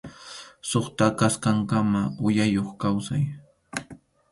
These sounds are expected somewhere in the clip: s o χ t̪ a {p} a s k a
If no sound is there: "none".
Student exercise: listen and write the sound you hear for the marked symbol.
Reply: k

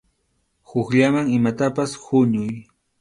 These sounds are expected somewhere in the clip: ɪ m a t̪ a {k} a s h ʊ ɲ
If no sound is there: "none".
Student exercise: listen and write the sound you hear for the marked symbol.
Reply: p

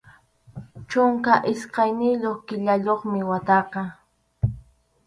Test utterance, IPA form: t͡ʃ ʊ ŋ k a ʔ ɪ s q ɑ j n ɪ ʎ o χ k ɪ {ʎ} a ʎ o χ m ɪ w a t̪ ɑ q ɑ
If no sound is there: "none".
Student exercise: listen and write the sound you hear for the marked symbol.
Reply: ʎ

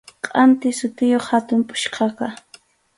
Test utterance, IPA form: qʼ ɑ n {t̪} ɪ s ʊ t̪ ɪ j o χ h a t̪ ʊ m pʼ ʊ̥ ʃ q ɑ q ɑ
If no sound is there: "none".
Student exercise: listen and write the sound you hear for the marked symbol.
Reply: t̪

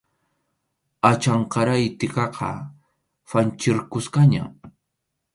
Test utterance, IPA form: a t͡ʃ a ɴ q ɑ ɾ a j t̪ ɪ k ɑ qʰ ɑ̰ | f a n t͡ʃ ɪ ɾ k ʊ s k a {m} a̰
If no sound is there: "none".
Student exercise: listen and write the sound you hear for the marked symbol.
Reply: ɲ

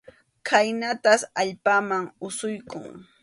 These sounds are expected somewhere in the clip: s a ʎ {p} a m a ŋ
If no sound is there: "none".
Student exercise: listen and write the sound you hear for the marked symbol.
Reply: p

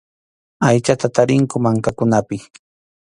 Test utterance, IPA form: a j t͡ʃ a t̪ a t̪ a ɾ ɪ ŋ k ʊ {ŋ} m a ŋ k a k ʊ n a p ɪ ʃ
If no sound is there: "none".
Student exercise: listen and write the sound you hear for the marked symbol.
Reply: none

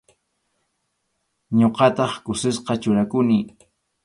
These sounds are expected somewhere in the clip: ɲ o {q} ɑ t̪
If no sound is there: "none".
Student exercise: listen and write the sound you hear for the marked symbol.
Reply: q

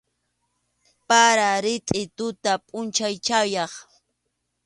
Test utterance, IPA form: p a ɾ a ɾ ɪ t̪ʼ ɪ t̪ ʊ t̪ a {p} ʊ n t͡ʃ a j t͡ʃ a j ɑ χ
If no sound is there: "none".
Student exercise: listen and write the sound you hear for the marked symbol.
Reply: pʼ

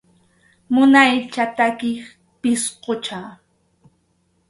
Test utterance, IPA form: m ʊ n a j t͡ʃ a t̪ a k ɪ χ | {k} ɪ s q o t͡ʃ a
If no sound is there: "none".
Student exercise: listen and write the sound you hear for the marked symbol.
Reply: p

